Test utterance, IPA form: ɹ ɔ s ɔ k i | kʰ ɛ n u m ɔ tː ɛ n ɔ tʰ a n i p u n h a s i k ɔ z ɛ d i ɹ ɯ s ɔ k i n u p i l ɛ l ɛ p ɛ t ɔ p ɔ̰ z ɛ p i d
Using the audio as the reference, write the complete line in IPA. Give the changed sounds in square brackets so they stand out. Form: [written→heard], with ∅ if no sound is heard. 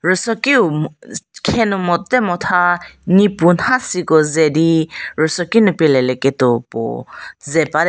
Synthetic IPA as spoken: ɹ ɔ s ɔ k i | kʰ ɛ n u m ɔ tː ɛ [n→m] ɔ tʰ a n i p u n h a s i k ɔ z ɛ d i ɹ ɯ s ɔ k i n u p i l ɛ l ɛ [p→k] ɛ t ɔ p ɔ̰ z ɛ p [i→a] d